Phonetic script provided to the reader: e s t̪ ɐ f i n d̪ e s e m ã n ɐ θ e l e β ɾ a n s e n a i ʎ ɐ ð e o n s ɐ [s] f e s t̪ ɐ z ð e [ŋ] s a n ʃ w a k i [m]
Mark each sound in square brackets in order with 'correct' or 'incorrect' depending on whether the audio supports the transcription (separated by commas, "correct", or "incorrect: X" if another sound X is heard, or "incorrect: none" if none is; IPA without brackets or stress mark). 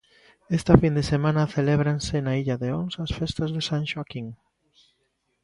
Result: correct, incorrect: none, incorrect: ŋ